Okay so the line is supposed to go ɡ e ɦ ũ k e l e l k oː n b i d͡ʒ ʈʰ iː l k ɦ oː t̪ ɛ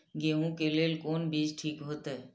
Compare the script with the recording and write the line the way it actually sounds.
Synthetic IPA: ɡ e ɦ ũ k e l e l k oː n b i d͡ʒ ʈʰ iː k ɦ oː t̪ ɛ

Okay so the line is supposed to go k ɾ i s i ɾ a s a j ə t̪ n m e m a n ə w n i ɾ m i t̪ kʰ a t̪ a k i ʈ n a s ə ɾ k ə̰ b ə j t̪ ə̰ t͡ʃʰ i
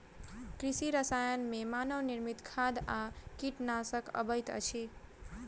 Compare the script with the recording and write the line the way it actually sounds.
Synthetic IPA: k ɾ i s i ɾ ə s a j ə n m e m a n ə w n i ɾ m i t̪ kʰ a d̪ a k i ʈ n a s ə k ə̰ b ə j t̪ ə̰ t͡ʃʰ i

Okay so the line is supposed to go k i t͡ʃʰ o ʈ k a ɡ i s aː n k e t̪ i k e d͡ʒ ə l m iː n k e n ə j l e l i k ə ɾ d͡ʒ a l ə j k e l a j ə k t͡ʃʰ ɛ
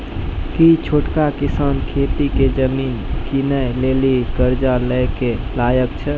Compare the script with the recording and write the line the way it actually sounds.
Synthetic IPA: k i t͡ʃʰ o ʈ k a k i s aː n kʰ e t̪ i k e d͡ʒ ə m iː n k i n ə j l e l i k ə ɾ d͡ʒ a l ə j k e l a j ə k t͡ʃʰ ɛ

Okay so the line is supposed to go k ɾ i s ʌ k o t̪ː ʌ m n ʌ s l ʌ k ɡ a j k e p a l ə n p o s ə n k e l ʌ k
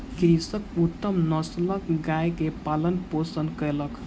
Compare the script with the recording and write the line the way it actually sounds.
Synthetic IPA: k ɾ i s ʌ k u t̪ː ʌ m n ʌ s l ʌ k ɡ a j k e p a l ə n p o s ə n k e l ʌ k

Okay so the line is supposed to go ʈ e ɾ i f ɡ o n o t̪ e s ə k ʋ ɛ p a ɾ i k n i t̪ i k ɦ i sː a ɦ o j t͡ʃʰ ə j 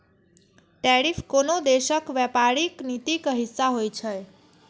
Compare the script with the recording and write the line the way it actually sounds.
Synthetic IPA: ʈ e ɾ i f k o n o d̪ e ʃ ə k ʋ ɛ p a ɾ i k n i t̪ i k ɦ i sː a ɦ o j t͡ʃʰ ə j

